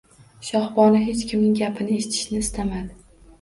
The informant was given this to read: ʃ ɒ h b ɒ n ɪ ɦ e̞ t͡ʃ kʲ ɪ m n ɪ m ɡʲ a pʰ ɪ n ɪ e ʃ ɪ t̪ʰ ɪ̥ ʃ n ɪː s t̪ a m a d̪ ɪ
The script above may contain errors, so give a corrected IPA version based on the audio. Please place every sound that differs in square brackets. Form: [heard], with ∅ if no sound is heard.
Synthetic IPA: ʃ ɒ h b ɒ n ɪ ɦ e̞ t͡ʃ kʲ ɪ m n ɪ [ŋ] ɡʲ a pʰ ɪ n ɪ e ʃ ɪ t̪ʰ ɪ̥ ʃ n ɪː s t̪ a m a d̪ ɪ